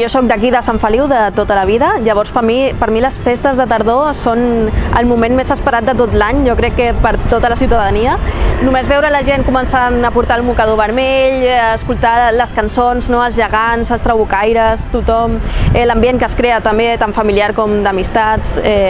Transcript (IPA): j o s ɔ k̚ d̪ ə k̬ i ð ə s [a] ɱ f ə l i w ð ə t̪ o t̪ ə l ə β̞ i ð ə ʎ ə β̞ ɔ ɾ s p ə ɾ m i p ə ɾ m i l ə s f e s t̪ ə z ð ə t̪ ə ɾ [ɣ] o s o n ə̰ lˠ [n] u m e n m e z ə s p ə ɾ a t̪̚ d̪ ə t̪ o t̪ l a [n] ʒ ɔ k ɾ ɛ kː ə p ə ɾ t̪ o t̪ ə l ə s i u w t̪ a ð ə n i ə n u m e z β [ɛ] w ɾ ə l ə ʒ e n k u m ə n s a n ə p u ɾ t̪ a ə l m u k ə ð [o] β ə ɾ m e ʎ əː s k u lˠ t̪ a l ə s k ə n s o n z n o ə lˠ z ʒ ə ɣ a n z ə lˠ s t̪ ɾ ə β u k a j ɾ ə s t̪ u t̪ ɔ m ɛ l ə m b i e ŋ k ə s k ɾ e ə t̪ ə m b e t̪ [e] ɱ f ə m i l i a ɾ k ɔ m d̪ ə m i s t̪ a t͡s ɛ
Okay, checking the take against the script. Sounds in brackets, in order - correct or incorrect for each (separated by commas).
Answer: correct, incorrect, incorrect, incorrect, correct, correct, incorrect